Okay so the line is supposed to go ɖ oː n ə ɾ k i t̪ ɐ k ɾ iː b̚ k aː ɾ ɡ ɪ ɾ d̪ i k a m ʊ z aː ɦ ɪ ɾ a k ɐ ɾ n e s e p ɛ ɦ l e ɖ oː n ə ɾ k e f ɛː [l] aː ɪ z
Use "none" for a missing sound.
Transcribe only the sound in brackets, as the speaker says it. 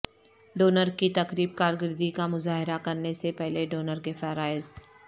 ɾ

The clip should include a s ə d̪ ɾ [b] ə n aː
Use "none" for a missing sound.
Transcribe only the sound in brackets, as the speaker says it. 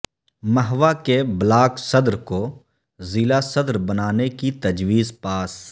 b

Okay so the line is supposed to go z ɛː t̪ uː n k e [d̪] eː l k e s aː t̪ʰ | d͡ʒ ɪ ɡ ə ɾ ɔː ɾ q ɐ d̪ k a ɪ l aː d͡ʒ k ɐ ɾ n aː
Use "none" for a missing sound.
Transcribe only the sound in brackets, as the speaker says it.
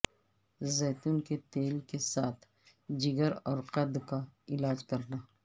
t̪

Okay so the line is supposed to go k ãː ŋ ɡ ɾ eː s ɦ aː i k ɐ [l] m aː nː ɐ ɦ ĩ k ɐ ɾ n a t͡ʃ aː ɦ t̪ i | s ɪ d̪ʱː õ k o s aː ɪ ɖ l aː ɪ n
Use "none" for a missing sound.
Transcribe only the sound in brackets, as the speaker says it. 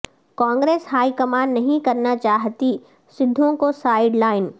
none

